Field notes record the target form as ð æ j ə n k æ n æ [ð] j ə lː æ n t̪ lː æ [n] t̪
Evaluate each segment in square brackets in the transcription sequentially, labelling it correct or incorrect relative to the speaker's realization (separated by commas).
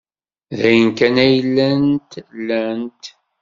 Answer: incorrect, correct